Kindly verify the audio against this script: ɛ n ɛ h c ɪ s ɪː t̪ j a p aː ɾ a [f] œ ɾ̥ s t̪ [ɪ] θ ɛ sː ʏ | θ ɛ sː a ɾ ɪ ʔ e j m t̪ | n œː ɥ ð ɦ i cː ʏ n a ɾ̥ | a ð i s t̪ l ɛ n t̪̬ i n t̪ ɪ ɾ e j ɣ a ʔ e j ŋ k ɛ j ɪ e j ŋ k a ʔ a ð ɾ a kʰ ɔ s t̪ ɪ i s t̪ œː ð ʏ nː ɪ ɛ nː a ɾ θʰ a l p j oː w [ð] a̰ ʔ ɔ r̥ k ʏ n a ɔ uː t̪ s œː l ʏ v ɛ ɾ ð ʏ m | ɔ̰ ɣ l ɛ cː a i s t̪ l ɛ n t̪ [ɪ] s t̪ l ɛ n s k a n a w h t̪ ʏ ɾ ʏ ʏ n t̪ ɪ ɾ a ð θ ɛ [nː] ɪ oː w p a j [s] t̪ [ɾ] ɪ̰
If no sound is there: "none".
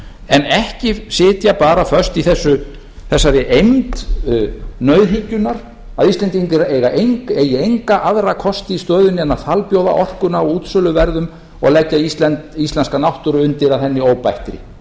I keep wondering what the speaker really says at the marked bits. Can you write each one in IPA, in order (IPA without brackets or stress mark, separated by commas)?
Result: f, i, ð, i, nː, h, ɾ